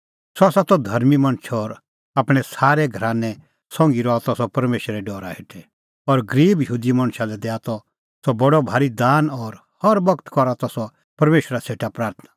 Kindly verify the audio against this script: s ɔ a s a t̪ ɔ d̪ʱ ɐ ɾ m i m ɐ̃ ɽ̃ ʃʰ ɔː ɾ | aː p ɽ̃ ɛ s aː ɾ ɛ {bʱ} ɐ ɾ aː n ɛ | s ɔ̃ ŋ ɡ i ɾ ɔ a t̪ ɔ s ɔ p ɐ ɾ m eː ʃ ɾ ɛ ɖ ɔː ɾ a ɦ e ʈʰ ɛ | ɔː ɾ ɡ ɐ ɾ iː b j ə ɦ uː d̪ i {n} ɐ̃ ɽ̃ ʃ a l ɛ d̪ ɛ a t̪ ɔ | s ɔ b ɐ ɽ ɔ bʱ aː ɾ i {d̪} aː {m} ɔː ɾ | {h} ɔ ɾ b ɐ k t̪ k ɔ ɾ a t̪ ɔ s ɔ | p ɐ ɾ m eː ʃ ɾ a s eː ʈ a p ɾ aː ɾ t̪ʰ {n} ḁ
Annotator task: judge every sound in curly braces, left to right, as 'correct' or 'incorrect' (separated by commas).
incorrect, incorrect, correct, incorrect, correct, correct